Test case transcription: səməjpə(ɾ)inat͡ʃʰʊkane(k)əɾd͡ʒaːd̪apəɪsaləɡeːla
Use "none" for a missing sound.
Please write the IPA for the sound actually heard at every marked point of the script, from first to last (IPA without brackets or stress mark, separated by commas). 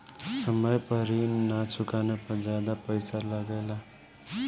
ɾ, p